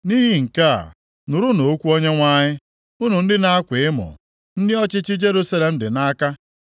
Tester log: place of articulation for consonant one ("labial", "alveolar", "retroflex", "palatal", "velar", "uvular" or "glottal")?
alveolar